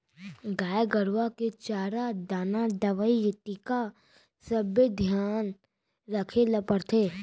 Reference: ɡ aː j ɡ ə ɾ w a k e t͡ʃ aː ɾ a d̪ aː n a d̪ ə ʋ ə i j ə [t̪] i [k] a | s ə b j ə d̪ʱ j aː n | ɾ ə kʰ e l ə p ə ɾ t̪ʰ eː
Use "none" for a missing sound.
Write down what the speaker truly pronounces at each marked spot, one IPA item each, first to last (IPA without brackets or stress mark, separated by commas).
t̪, k